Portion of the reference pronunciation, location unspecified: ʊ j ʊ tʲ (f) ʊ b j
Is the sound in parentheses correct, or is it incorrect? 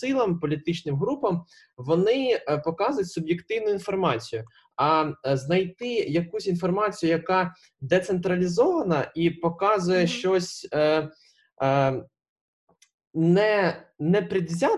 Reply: incorrect